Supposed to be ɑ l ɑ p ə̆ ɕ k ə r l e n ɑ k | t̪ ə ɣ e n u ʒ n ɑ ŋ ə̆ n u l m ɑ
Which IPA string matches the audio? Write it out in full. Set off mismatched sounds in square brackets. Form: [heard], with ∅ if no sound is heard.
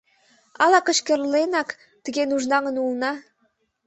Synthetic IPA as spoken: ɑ l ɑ [k] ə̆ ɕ k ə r l e n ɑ k | t̪ ə ɣ e n u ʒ n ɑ ŋ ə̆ n u l [n] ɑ